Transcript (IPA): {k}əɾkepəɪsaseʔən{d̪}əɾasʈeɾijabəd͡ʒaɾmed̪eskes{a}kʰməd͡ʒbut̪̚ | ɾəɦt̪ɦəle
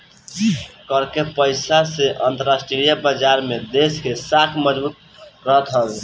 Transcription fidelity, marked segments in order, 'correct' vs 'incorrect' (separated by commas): correct, incorrect, correct